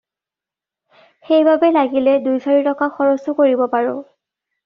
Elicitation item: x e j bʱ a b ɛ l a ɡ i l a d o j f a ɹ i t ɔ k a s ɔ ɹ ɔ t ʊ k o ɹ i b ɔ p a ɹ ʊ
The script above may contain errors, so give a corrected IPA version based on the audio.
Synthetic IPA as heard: x e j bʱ a b ɛ l a ɡ i l ɛ d u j s a ɹ i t ɔ k a x ɔ ɹ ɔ s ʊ k o ɹ i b ɔ p a ɹ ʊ